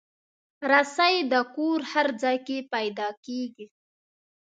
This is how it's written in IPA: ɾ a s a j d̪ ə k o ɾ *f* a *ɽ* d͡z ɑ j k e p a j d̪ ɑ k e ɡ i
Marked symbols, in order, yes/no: no, no

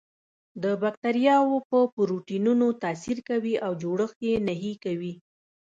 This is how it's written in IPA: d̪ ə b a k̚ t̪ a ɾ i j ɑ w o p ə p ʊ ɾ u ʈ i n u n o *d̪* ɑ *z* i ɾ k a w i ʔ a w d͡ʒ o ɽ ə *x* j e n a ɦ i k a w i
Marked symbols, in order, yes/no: no, no, yes

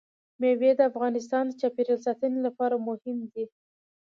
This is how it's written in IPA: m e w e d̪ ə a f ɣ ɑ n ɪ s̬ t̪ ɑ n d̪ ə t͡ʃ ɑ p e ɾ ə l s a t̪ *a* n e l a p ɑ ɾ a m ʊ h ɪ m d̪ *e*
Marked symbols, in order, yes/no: no, no

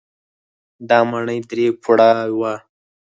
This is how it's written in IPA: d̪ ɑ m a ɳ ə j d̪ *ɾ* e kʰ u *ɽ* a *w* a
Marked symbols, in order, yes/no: yes, yes, yes

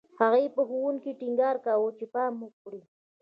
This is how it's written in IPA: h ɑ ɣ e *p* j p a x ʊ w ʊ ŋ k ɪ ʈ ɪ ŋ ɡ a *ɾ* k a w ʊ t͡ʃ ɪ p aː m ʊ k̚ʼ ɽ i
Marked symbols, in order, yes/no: no, yes

